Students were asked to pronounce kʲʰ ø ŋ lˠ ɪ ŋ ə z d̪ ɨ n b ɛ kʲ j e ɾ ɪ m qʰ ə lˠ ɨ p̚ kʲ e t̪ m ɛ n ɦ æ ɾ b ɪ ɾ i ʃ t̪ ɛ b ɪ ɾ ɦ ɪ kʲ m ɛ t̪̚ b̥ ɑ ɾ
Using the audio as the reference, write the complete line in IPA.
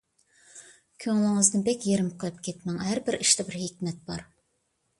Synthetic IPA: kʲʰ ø ŋ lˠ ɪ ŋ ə z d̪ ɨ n b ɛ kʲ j e ɾ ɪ m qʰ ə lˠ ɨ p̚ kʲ e t̪ m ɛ ŋ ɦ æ ɾ b ɪ ɾ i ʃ t̪ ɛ b ɪ ɾ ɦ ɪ kʲ m ɛ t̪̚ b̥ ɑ ɾ

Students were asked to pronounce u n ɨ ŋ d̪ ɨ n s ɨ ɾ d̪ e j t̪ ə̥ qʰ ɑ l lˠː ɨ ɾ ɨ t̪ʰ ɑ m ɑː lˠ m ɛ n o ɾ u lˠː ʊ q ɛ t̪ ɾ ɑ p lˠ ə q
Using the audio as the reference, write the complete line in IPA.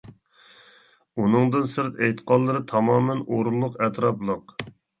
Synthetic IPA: u n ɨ ŋ d̪ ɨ n s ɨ ɾ t̪ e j t̪ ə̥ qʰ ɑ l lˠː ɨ ɾ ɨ t̪ʰ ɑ m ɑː m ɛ n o ɾ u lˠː ʊ q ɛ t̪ ɾ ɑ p lˠ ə q

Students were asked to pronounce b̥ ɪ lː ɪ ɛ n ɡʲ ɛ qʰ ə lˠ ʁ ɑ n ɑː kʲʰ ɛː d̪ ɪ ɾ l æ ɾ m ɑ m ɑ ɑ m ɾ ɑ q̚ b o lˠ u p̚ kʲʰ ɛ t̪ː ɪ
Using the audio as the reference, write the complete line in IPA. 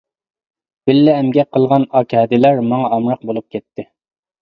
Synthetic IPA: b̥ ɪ lː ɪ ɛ m ɡʲ ɛ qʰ ə lˠ ʁ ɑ n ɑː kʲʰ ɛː d̪ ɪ l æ ɾ m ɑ ŋ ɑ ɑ m ɾ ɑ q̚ b o lˠ u p̚ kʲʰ ɛ t̪ː ɪ

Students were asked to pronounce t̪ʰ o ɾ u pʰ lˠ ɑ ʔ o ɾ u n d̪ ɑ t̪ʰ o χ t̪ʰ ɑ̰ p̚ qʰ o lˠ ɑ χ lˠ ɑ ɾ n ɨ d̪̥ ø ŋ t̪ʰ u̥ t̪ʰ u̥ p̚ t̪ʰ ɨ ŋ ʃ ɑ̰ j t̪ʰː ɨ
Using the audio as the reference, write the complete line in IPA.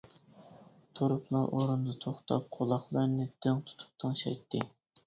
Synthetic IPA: t̪ʰ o ɾ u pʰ lˠ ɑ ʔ o ɾ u n d̪ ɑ t̪ʰ o χ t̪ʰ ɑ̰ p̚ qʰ o lˠ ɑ χ lˠ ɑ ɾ n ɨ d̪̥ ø ŋ t̪ʰ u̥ t̪ʰ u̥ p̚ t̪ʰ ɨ ŋ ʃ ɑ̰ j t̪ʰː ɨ

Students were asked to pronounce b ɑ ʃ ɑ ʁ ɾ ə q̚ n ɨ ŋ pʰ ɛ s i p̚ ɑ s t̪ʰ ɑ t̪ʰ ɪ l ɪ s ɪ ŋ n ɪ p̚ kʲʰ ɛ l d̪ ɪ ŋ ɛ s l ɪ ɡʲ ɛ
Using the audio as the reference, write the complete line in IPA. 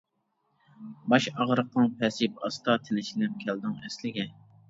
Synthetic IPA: b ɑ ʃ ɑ ʁ ɾ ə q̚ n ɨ ŋ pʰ ɛ s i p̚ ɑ s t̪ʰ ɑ t̪ʰ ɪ l ɪ ʃ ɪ n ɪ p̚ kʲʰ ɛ l d̪ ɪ ŋ ɛ s l ɪ ɡʲ ɛ

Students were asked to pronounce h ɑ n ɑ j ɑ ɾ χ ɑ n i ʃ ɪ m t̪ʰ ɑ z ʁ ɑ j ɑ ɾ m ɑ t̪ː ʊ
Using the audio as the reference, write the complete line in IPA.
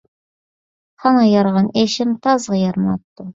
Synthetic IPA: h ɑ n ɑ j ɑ ɾ ʁ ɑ n e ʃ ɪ m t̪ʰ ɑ z ʁ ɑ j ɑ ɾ m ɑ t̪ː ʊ

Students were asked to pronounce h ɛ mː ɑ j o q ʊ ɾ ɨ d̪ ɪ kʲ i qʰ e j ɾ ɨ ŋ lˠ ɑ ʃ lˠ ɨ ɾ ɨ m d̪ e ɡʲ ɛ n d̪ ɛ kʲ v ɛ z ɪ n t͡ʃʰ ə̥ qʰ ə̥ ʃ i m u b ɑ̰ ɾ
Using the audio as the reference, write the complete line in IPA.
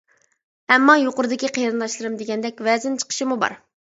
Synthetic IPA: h ɛ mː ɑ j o q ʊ ɾ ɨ d̪ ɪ kʲ i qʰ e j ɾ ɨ n lˠ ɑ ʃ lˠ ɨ ɾ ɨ m d̪ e ɡʲ ɛ n d̪ ɛ kʲ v ɛ z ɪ n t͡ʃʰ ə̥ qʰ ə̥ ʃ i m u b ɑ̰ ɾ

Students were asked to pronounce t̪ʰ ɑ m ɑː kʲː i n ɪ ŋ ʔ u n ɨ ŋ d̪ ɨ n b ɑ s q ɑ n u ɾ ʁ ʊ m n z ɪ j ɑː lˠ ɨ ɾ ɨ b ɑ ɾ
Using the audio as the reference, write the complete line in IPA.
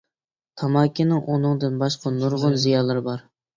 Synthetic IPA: t̪ʰ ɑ m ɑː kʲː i n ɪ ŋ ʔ u n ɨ ŋ d̪ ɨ n b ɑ ʃ q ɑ n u ɾ ʁ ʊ n z i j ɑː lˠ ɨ ɾ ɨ b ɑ ɾ

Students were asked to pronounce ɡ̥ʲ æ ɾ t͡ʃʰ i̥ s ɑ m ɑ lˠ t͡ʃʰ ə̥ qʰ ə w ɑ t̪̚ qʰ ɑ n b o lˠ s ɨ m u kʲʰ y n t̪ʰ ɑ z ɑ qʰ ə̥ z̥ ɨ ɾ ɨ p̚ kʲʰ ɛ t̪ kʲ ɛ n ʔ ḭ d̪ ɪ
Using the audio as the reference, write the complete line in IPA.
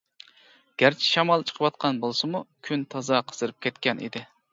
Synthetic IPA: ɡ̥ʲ æ ɾ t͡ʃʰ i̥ ʃ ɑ m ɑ lˠ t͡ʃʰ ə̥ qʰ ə w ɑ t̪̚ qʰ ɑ n b o lˠ s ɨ m u kʲʰ y n t̪ʰ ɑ z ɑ qʰ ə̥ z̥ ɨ ɾ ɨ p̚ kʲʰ ɛ t̪ kʲ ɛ n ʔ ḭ d̪ ɪ

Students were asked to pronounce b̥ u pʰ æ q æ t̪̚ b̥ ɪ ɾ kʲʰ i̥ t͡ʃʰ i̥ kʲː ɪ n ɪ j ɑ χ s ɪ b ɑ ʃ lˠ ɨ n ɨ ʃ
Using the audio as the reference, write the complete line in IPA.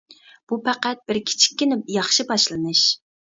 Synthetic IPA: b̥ u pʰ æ q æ t̪̚ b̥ ɪ ɾ kʲʰ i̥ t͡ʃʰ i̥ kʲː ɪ n ɪ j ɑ χ ʃ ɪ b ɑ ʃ lˠ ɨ n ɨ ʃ

